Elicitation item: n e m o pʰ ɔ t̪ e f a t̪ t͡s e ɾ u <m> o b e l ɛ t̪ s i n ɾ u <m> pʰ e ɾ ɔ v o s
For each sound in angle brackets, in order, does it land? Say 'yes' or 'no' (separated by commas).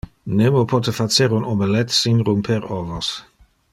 no, yes